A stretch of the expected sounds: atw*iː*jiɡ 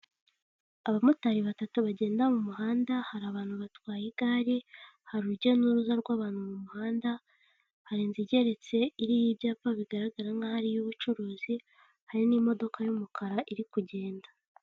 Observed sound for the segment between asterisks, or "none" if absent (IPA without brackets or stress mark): aː